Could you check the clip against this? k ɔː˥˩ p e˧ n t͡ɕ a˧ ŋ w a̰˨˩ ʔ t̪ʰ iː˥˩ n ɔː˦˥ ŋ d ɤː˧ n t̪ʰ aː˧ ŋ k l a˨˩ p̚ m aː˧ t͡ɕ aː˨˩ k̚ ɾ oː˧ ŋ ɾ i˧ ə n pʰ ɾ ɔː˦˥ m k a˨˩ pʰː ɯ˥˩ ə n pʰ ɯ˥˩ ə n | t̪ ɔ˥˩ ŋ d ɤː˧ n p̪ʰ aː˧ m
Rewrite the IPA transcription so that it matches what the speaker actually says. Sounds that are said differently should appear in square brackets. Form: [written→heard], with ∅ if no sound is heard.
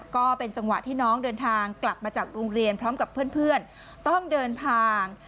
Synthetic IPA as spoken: k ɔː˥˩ p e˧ n t͡ɕ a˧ ŋ w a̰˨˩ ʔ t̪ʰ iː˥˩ n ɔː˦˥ ŋ d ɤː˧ n t̪ʰ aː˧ ŋ k l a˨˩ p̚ m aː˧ t͡ɕ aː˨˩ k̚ ɾ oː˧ ŋ ɾ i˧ ə n pʰ ɾ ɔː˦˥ m k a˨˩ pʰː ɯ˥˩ ə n pʰ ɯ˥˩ ə n | t̪ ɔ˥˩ ŋ d ɤː˧ n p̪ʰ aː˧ [m→ŋ]